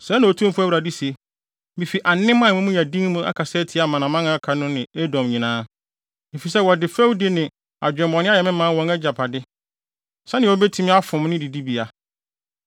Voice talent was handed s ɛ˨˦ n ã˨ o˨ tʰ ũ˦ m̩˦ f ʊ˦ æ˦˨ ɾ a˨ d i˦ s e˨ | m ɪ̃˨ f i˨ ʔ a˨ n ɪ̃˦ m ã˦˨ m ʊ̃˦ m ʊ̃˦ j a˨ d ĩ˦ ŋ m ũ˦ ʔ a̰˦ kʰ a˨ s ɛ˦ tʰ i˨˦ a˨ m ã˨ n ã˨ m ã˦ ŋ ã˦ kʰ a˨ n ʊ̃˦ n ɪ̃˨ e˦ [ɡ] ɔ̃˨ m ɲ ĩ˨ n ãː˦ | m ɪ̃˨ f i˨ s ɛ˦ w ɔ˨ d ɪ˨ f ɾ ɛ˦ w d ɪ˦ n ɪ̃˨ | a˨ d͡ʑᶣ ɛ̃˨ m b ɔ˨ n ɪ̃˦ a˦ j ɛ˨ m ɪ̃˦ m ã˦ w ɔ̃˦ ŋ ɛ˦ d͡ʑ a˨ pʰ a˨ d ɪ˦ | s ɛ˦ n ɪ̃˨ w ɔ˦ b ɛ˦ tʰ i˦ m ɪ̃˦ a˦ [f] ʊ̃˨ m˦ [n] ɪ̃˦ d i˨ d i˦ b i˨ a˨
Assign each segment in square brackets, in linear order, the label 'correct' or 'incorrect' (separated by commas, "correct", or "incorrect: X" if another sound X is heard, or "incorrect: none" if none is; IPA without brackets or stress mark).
incorrect: d, correct, correct